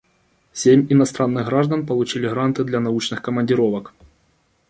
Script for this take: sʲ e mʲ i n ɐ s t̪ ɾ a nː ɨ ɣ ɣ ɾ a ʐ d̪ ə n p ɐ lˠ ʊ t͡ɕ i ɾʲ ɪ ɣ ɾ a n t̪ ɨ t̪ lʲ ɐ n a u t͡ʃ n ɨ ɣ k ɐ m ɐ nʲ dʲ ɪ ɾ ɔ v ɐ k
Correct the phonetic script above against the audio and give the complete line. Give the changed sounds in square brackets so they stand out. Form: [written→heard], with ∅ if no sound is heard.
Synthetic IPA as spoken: sʲ e mʲ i n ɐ s t̪ ɾ a nː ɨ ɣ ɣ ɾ a ʐ d̪ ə n p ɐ lˠ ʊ t͡ɕ i [ɾʲ→lʲ] ɪ ɣ ɾ a n t̪ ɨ [t̪→d̪] lʲ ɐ n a u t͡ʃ n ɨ [ɣ→x] k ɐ m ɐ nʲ dʲ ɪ ɾ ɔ v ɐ k